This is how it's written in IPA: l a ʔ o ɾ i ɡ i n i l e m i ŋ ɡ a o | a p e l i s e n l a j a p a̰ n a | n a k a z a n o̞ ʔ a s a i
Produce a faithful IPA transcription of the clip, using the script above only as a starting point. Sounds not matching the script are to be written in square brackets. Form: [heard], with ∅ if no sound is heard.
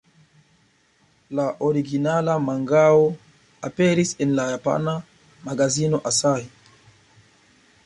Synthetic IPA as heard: l a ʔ o ɾ i ɡ i n [a] l [a] m [a] ŋ ɡ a o | a p e [ɾ] i s e n l a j a p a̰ n a | [m] a [ɡ] a z [i] n o̞ ʔ a s a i